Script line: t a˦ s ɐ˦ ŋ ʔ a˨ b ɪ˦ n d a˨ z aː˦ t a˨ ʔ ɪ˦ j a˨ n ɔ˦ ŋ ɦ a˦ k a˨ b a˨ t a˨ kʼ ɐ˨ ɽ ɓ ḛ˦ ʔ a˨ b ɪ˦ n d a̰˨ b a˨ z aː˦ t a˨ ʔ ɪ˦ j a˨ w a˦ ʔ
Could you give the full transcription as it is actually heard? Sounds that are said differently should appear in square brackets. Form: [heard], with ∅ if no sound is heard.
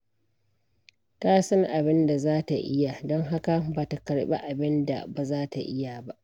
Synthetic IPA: t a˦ s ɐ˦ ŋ ʔ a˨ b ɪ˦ n d a˨ z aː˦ t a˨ ʔ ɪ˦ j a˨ [d] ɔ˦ ŋ ɦ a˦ k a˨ b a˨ t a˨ [k] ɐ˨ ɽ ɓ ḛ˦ ʔ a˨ b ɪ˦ n d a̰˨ b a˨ z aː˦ t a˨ ʔ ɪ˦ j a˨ [b] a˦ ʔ